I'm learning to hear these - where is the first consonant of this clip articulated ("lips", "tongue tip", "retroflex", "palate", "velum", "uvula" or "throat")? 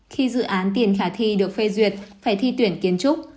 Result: velum